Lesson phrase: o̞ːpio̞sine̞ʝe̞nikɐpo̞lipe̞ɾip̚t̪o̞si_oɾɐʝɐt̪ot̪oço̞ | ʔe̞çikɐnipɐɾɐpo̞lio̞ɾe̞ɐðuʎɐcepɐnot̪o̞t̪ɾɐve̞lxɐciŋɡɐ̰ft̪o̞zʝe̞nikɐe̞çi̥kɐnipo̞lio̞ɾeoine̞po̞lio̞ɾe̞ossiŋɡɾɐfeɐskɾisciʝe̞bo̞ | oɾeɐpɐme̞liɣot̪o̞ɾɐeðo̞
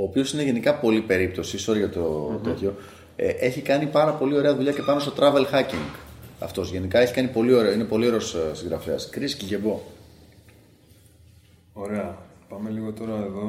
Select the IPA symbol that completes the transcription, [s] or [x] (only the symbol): s